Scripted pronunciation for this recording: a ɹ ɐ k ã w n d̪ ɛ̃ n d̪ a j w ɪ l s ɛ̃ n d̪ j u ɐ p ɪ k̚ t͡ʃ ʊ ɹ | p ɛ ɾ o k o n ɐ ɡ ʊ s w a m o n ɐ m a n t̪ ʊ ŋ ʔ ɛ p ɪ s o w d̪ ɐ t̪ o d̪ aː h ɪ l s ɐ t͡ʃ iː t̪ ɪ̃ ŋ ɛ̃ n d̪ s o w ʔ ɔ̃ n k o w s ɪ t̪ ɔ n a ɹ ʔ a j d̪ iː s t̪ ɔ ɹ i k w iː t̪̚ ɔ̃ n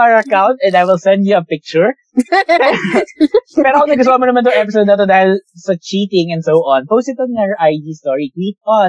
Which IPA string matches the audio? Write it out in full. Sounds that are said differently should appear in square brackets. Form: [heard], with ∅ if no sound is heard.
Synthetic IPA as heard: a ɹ ɐ k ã w n [t̪] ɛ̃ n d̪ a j w ɪ l s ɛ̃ n d̪ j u ɐ p ɪ k̚ t͡ʃ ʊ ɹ | p ɛ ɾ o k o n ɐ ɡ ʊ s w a m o n ɐ m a n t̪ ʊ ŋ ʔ ɛ p ɪ s o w d̪ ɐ t̪ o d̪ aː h ɪ l s ɐ t͡ʃ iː t̪ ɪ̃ ŋ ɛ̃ n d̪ s o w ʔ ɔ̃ n [p] o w s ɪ t̪ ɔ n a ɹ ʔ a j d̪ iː s t̪ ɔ ɹ i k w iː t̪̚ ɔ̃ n